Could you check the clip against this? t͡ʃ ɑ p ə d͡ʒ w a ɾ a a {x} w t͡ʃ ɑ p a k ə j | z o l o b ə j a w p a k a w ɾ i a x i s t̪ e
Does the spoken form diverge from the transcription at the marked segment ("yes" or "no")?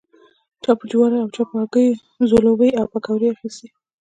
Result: yes